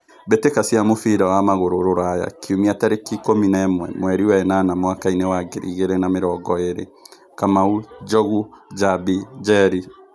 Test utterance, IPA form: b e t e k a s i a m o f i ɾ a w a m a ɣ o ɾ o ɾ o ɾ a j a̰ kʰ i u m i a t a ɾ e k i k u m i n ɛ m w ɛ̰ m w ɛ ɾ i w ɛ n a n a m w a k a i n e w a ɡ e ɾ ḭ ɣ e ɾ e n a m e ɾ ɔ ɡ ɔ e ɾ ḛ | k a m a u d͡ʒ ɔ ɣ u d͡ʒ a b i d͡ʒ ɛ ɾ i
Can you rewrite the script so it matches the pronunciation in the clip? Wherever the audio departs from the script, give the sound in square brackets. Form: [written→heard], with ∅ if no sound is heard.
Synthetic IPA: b e t e k a s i a m o f i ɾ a w a m a ɣ o ɾ o ɾ o ɾ a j a̰ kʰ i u m i a t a ɾ e k i k [u→o] m i n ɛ m w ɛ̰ m w ɛ ɾ i w ɛ n a n a m w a k a i n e w a ɡ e ɾ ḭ ɣ e ɾ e n a m e ɾ ɔ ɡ ɔ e ɾ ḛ | k a m a u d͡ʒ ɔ ɣ u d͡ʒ a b i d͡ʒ ɛ ɾ i